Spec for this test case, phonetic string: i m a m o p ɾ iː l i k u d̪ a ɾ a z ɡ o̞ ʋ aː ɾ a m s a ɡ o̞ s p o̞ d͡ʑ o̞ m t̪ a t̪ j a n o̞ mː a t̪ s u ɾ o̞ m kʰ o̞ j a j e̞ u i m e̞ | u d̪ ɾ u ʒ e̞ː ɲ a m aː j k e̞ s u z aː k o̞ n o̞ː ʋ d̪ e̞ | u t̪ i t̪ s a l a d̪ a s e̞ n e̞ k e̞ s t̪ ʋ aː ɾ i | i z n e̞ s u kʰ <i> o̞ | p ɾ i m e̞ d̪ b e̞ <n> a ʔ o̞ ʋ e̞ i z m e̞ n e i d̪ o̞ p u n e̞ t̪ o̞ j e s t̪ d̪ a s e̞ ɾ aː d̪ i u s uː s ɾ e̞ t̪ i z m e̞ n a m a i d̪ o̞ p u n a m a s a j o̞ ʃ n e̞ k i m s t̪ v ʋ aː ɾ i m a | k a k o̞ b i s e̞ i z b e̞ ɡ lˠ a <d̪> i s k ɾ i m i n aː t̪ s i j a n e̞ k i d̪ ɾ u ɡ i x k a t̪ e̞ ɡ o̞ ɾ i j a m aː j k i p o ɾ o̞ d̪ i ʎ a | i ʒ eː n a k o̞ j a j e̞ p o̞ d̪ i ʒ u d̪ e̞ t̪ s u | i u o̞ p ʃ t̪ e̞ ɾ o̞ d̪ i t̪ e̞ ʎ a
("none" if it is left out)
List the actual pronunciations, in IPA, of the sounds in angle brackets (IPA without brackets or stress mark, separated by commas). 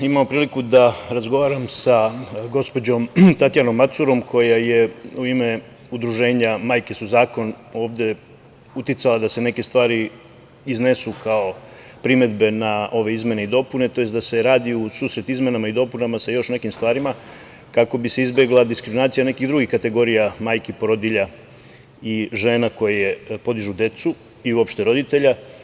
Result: a, n, d̪